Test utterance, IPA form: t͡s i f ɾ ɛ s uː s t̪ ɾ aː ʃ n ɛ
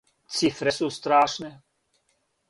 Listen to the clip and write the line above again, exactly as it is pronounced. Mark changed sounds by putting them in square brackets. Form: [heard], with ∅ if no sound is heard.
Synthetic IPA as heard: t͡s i f ɾ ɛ s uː s t̪ ɾ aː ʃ n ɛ

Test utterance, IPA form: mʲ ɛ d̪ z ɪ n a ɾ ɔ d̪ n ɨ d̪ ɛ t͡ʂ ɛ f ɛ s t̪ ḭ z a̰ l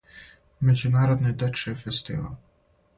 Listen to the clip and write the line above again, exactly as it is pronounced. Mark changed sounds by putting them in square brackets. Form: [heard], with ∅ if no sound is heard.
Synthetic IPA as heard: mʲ ɛ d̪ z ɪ n a ɾ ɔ d̪ n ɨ d̪ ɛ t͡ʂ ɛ f ɛ s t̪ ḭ [v] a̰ l

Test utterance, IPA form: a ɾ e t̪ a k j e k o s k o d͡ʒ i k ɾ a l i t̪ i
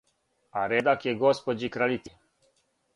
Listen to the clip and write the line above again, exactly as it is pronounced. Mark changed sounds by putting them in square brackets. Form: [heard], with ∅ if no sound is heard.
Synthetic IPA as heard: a ɾ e [d̪] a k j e [ɡ] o s [p] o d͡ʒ i k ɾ a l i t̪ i

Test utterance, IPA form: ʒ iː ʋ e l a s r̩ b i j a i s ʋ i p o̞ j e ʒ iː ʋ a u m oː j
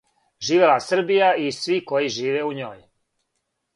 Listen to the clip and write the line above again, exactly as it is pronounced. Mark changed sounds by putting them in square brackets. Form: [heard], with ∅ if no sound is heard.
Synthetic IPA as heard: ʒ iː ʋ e l a s r̩ b i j a i s ʋ i [k] o̞ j [i] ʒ iː ʋ [e] u [ɲ] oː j

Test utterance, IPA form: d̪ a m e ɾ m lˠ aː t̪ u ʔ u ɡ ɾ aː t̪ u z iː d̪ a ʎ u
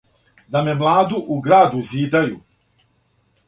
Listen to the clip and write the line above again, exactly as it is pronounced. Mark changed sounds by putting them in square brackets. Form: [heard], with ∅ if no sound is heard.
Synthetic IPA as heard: d̪ a m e [∅] m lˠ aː [d̪] u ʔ u ɡ ɾ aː [d̪] u z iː d̪ a [j] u

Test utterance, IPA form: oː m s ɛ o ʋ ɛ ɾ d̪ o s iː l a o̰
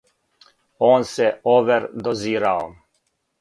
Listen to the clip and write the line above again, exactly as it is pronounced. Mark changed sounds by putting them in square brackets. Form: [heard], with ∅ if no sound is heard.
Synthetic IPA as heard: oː [n] s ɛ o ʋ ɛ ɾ d̪ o [z] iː [ɾ] a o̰

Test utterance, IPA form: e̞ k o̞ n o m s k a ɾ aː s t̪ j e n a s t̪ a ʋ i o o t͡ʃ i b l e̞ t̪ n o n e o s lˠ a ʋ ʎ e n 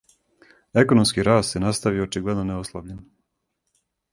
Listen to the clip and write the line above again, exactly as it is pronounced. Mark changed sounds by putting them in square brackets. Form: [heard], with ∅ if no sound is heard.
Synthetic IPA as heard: e̞ k o̞ n o m s k [i] ɾ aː s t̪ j e n a s t̪ a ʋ i o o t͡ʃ i [ɡ] l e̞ [d̪] n o n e o s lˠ a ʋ ʎ e n

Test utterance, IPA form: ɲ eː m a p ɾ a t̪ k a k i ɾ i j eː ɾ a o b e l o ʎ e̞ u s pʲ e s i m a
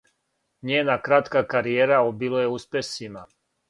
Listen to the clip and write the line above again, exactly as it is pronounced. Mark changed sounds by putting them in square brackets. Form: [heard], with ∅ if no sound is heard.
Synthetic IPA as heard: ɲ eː [n] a [k] ɾ a t̪ k a k [a] ɾ i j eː ɾ a o b [i] l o [j] e̞ u s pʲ e s i m a

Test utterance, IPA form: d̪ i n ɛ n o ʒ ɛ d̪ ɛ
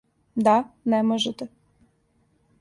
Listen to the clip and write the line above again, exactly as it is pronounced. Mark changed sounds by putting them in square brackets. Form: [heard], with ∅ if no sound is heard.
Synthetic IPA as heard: d̪ [a] n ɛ [m] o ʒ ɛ [t̪] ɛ

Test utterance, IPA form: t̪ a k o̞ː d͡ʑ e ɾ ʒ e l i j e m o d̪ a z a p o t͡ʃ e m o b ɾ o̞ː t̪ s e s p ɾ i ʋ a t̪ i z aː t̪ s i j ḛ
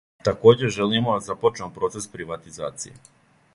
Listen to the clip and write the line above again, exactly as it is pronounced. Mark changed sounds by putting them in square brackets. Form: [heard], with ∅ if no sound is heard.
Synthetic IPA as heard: t̪ a k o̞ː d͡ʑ e [∅] ʒ e l i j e m o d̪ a z a p o t͡ʃ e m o [p] ɾ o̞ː t̪ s e s p ɾ i ʋ a t̪ i z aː t̪ s i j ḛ

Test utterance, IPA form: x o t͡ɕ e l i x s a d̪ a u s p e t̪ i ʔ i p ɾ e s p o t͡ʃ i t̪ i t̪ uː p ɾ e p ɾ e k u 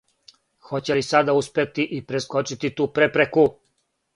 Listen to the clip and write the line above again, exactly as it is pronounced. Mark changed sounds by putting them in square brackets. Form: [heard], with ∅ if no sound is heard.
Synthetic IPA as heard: x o t͡ɕ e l i [∅] s a d̪ a u s p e t̪ i ʔ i p ɾ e s [k] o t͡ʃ i t̪ i t̪ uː p ɾ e p ɾ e k u

